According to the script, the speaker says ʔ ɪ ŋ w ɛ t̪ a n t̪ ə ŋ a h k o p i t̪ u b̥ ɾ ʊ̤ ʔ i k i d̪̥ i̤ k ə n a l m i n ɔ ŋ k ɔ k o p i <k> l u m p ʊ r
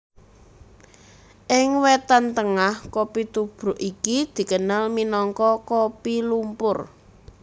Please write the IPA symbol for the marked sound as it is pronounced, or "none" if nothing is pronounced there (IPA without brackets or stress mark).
none